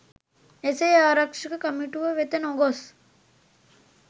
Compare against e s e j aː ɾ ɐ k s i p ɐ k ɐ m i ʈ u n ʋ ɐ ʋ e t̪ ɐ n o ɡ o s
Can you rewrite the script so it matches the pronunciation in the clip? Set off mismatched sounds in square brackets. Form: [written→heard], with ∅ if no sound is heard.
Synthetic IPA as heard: e s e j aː ɾ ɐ k [s→ʂ] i [p→k] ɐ k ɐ m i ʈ u [n→∅] ʋ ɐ ʋ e t̪ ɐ n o ɡ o s

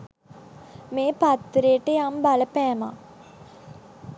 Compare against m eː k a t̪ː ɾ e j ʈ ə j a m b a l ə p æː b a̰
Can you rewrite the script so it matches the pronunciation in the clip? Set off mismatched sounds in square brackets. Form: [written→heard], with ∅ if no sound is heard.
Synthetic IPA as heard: m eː [k→p] a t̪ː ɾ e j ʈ ə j a m b a l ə p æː [b→m] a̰

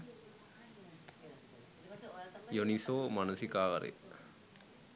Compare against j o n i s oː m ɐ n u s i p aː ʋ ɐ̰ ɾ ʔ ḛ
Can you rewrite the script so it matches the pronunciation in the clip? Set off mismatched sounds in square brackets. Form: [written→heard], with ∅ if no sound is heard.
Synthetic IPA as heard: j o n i s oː m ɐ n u s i [p→k] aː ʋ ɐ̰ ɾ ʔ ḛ

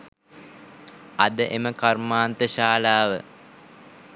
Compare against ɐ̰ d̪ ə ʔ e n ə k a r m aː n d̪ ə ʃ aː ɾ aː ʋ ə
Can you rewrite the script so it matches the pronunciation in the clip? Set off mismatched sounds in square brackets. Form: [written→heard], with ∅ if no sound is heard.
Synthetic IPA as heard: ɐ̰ d̪ ə ʔ e [n→m] ə k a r m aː n [d̪→t̪] ə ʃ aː [ɾ→l] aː ʋ ə

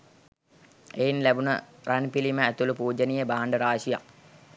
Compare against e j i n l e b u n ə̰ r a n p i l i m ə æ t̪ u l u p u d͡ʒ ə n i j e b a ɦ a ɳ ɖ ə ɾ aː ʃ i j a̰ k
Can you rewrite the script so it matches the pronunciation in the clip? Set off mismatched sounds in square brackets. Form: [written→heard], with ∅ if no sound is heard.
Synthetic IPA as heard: e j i n l [e→æ] b u n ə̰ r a n p i l i m ə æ t̪ u l u p [u→uː] d͡ʒ ə n i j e b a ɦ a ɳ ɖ ə ɾ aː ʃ i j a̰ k

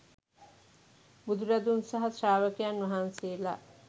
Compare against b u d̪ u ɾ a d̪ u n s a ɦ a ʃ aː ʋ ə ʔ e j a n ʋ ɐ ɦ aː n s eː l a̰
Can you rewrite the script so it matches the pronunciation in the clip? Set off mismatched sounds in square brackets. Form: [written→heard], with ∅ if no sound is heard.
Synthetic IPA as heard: b u d̪ u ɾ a d̪ u n s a ɦ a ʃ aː ʋ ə [ʔ→k] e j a n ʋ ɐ ɦ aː n s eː l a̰

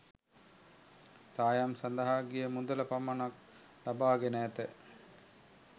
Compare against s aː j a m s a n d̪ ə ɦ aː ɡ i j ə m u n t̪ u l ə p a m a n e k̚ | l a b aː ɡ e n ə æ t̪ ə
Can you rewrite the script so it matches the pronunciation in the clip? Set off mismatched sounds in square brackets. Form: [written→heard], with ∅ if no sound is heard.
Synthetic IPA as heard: s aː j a m s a n d̪ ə ɦ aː ɡ i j ə m u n [t̪→d̪] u l ə p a m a n [e→a] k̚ | l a b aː ɡ e n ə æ t̪ ə

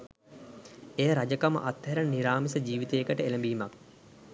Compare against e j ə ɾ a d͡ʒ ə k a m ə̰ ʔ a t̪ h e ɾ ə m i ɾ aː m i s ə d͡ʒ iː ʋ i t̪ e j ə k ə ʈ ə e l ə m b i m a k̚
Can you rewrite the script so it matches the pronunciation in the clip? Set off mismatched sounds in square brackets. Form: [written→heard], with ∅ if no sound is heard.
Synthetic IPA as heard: e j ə ɾ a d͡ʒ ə k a m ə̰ ʔ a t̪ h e ɾ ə [m→n] i ɾ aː m i s ə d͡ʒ iː ʋ i t̪ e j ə k ə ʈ ə e l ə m b [i→iː] m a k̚

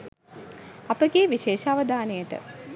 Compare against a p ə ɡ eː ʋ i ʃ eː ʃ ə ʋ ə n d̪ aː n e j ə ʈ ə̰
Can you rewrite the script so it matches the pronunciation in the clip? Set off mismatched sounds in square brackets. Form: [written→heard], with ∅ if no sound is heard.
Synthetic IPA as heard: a p ə ɡ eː ʋ i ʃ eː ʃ [ə→a] ʋ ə [n→∅] d̪ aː n e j ə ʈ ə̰

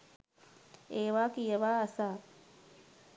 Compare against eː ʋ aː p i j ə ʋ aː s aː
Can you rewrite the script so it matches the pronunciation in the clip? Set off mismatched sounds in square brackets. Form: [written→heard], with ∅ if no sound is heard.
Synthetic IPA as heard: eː ʋ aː [p→k] i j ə ʋ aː s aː

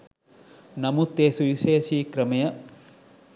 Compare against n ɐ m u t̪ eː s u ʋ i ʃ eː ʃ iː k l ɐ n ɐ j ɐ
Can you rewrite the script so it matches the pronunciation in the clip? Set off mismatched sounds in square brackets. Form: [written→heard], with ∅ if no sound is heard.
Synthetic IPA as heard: n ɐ m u t̪ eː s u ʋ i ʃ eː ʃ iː k [l→ɾ] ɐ [n→m] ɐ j ɐ

